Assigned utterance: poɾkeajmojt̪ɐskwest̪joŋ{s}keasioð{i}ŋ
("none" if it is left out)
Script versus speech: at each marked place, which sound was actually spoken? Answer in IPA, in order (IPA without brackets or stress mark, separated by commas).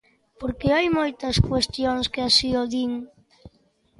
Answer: s, i